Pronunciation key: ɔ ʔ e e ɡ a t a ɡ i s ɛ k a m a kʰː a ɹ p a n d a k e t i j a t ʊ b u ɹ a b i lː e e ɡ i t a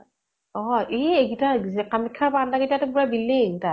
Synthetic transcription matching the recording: ɔ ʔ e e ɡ i t a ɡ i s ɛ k a m i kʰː a ɹ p a n d a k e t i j a t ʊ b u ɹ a b i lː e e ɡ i t a